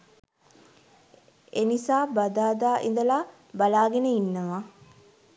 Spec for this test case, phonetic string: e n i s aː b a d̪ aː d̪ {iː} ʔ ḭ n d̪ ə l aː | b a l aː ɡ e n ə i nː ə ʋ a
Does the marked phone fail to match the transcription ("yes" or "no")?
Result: yes